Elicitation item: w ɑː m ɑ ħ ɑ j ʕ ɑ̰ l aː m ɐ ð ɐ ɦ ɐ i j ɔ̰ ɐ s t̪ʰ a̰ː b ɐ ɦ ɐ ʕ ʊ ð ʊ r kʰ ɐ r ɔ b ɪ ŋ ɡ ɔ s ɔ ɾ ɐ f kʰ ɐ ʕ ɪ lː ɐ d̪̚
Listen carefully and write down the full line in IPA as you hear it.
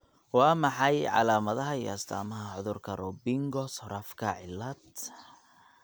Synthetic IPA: w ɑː m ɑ ħ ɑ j ʕ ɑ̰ l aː m ɐ ð ɐ ɦ ɐ i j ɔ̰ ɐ s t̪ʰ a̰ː m ɐ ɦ ɐ ʕ ʊ ð ʊ r kʰ ɐ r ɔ b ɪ ŋ ɡ ɔ s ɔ ɾ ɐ f kʰ ɐ ʕ ɪ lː ɐ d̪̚